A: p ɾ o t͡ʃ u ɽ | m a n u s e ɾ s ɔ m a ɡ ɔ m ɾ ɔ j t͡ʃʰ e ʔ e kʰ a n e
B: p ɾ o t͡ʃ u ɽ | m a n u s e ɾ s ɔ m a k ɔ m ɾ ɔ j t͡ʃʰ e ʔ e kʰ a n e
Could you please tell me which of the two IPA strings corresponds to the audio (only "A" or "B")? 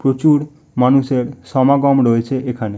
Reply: A